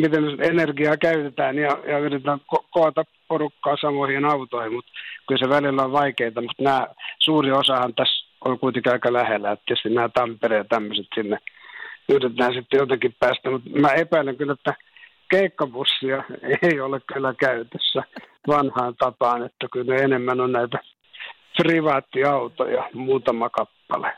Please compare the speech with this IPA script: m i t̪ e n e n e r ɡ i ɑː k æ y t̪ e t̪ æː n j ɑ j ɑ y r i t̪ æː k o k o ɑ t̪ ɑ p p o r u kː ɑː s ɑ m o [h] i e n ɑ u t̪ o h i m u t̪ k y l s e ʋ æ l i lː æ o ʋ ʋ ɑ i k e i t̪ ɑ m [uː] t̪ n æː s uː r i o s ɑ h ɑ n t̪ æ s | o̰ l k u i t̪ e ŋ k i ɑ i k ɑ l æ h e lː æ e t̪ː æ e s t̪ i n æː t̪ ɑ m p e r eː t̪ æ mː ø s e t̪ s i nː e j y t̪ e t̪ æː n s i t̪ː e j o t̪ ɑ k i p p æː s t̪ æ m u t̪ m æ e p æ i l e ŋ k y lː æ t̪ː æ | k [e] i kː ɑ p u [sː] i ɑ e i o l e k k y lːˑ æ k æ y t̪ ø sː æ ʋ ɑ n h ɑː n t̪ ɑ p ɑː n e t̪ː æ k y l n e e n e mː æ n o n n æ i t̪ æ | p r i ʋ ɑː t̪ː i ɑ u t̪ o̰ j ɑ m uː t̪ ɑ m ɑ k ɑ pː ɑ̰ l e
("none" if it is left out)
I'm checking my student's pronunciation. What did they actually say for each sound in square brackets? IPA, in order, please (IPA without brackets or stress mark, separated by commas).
h, u, e, sː